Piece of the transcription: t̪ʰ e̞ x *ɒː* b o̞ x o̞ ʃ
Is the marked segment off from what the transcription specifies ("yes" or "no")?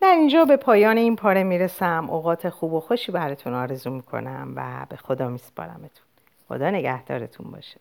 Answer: yes